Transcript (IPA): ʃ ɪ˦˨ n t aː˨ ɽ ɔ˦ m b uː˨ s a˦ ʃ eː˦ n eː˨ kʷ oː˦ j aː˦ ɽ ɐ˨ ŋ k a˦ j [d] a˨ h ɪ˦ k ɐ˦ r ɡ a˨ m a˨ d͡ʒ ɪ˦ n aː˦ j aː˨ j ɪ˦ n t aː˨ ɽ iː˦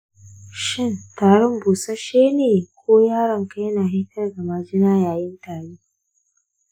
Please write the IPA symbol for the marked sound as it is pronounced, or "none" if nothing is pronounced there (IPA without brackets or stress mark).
n